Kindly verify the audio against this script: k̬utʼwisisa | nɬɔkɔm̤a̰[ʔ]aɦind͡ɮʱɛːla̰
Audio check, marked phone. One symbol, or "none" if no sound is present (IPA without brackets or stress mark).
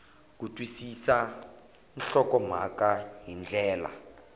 k